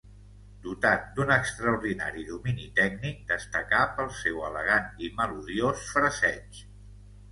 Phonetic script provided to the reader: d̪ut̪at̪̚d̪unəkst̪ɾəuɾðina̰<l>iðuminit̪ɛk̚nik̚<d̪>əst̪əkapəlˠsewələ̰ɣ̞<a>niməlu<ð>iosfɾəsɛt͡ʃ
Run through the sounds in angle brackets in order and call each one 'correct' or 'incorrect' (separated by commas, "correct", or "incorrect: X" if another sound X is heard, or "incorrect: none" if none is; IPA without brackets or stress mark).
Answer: incorrect: ɾ, correct, correct, correct